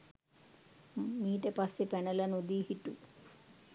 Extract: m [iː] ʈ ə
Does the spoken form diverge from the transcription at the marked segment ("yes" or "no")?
no